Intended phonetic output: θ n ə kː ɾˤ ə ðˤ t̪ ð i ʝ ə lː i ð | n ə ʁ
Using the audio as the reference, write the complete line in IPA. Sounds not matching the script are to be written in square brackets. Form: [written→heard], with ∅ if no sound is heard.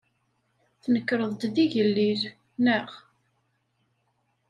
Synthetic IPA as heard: θ n ə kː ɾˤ ə ðˤ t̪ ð i ʝ ə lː i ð | n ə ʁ